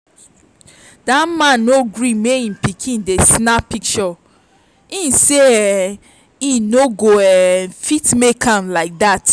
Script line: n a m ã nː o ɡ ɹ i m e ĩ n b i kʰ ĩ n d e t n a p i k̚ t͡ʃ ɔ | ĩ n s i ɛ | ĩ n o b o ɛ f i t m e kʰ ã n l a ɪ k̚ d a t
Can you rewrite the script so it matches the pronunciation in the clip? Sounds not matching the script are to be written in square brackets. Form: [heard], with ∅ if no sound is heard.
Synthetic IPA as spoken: [d] a m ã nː o ɡ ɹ i m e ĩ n [p] i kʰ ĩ n d e [s] n a p i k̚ t͡ʃ ɔ | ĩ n s [e] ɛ | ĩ n o [ɡ] o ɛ f i t m e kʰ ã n l a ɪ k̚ d a t